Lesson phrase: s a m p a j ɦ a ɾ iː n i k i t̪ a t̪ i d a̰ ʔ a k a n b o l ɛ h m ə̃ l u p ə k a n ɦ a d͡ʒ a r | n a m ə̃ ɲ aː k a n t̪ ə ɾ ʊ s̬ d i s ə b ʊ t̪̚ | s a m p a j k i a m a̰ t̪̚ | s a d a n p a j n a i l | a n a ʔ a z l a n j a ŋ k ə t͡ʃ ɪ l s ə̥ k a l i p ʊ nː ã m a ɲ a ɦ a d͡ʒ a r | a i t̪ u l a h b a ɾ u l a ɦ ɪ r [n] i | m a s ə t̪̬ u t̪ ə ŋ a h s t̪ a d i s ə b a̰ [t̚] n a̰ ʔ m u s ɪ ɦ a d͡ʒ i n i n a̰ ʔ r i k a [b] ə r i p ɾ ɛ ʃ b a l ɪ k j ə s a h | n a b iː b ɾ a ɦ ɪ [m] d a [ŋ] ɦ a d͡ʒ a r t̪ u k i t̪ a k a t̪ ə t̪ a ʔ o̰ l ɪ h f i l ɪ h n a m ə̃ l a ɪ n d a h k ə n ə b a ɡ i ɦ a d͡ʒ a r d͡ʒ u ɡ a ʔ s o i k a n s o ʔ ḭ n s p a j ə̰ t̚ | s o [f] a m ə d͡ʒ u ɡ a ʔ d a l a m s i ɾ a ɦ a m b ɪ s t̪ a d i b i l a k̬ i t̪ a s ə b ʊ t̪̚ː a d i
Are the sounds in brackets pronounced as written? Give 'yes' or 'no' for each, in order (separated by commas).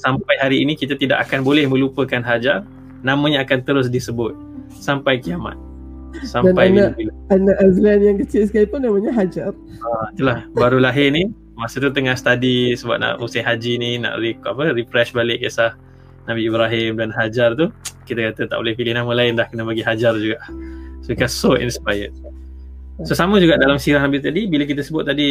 yes, no, no, yes, no, no